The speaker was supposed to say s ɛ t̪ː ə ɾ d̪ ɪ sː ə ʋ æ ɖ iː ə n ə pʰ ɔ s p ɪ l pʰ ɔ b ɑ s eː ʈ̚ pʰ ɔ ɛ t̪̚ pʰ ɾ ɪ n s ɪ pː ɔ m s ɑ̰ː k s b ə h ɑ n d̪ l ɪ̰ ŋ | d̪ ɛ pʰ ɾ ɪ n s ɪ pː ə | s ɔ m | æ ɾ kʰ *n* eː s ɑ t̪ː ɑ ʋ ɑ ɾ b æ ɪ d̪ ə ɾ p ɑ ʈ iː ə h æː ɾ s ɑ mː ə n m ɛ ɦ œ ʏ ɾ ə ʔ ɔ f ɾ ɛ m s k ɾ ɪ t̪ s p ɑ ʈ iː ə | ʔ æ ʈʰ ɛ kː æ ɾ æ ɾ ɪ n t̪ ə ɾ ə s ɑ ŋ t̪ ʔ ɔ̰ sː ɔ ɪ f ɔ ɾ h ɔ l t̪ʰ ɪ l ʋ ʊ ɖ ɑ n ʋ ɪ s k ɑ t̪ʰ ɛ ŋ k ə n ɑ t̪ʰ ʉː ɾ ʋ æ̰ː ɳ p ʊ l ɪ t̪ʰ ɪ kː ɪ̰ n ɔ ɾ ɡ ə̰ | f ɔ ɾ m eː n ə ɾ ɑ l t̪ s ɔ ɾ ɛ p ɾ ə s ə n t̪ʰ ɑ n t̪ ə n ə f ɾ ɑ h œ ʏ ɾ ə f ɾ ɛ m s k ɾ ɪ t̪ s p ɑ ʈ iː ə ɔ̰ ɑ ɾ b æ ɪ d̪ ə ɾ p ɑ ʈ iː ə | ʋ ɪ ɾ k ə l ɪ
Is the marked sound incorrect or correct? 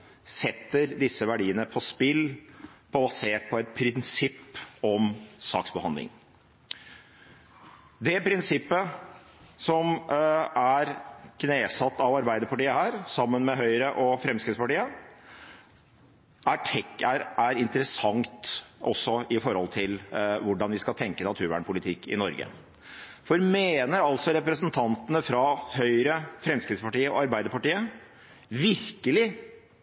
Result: correct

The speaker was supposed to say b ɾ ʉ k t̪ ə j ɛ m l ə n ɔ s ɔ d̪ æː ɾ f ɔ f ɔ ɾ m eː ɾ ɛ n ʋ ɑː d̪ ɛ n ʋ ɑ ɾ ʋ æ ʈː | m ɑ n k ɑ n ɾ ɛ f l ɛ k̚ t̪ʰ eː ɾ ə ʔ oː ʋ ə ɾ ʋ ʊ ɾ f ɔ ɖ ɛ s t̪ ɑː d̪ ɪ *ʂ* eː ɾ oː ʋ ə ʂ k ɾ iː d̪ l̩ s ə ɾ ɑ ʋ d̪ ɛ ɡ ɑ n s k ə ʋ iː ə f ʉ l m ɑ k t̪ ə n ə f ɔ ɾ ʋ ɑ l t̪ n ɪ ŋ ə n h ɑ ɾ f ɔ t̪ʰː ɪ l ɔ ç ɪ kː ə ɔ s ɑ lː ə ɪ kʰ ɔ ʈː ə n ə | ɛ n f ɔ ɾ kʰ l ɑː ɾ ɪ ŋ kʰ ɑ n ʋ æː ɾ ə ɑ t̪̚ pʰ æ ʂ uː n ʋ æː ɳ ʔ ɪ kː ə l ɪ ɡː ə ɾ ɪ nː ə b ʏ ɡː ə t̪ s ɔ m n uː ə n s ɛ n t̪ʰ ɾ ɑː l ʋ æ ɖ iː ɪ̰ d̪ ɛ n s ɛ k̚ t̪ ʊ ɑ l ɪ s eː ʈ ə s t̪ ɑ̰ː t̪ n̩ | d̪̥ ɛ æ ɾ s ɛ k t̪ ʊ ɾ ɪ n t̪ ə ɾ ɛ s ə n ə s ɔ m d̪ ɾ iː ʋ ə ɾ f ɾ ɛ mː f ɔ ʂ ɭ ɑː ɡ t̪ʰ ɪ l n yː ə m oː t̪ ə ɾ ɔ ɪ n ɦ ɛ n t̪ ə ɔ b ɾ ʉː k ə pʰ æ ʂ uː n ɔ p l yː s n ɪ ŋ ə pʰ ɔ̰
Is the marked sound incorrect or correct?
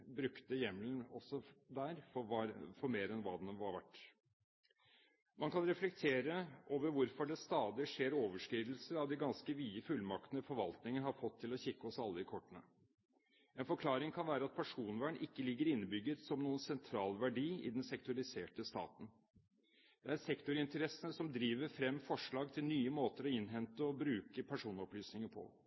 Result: correct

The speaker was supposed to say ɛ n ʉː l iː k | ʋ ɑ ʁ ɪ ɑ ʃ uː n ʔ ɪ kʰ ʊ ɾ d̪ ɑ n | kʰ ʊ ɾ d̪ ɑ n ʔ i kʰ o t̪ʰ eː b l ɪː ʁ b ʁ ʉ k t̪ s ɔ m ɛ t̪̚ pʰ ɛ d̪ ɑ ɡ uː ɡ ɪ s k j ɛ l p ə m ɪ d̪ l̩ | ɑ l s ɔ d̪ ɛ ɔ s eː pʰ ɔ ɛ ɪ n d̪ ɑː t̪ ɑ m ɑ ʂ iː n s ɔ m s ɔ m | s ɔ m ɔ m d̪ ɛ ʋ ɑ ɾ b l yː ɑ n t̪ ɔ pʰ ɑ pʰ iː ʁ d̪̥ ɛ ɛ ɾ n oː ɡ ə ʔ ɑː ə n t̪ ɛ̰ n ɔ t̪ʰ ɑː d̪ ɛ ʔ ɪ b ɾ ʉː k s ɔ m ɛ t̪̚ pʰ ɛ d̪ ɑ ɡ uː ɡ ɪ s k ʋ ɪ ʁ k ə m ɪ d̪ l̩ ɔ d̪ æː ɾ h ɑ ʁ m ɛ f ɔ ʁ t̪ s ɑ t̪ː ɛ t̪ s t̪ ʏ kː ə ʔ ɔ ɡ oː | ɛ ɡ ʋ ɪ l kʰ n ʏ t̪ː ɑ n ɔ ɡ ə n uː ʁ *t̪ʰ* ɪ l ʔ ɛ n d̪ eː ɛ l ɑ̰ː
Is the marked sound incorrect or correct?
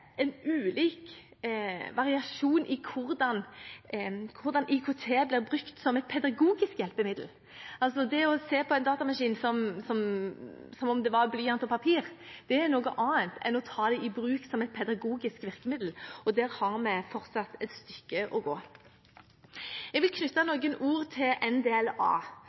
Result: correct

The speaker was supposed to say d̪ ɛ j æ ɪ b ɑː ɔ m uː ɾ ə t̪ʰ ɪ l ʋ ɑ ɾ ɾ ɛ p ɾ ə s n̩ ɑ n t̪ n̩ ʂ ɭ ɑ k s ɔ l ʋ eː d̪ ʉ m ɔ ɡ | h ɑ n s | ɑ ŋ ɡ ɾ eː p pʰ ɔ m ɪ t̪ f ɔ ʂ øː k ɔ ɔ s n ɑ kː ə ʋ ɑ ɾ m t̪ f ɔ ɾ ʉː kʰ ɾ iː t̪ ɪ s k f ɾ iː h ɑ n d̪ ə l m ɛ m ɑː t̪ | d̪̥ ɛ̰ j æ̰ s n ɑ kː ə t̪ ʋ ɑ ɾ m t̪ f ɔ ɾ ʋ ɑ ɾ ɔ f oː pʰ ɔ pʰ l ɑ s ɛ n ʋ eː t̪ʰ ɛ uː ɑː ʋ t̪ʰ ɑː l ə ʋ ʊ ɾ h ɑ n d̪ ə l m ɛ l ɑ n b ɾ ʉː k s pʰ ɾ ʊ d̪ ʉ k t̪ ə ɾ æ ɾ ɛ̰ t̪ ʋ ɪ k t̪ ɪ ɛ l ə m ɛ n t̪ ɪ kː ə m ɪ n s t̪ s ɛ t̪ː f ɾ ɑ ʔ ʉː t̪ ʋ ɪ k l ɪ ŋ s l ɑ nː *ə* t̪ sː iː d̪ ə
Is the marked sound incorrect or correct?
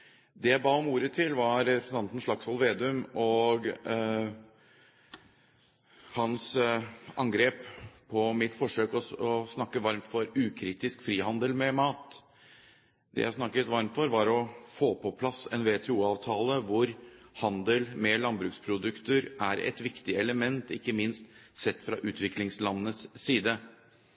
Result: correct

